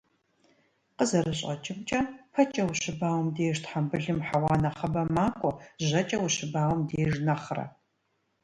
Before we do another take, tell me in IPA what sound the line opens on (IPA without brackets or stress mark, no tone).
q